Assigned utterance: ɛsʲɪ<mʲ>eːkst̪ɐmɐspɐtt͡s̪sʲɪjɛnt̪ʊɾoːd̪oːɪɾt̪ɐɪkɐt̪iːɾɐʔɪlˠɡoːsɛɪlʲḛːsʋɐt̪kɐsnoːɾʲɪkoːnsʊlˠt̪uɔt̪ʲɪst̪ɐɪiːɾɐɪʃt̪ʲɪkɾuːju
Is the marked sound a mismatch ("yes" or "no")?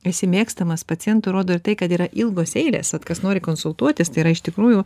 no